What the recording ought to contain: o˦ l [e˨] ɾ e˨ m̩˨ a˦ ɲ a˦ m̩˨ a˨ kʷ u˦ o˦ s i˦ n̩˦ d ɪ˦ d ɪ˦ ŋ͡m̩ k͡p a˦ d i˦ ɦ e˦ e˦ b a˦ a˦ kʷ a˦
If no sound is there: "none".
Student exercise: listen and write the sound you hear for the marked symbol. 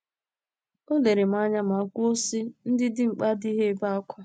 e˨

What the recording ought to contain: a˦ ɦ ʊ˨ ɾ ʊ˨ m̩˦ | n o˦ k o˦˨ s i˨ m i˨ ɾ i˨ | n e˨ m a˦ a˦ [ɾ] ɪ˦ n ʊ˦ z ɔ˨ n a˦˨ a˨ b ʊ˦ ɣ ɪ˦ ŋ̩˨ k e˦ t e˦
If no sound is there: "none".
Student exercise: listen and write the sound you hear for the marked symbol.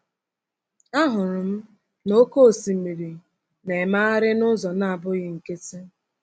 ɾ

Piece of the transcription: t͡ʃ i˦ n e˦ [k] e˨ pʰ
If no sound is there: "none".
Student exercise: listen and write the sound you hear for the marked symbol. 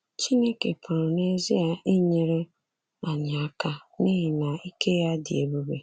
k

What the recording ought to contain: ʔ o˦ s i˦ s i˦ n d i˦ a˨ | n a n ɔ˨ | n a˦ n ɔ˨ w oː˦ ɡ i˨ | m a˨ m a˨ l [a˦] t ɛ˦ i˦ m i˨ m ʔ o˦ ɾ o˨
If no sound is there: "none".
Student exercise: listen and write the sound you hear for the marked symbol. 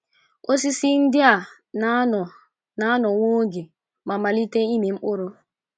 i˦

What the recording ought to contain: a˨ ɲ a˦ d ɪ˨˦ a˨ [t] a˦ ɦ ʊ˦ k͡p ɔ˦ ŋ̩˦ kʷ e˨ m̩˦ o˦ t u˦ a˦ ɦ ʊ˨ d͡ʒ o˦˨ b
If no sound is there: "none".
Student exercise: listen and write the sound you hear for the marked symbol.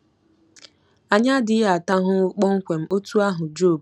t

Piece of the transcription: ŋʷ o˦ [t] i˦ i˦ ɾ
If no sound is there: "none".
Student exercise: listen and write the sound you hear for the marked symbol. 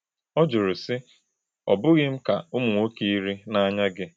k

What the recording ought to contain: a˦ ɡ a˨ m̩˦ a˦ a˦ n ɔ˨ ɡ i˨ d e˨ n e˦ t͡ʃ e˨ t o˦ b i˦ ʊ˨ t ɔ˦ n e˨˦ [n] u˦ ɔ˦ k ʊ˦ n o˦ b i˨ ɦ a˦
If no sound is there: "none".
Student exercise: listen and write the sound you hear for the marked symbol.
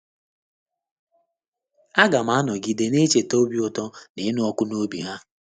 n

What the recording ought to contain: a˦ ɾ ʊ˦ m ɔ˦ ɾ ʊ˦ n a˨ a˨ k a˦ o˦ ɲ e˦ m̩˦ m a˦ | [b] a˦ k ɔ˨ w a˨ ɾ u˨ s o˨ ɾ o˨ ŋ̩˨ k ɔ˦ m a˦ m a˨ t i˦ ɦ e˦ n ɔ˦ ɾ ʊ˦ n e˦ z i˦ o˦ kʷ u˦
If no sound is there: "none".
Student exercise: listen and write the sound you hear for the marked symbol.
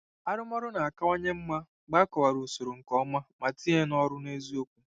ɡ͡b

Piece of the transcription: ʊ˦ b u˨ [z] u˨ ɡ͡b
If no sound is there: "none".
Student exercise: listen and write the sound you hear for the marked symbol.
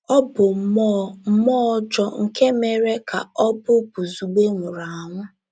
z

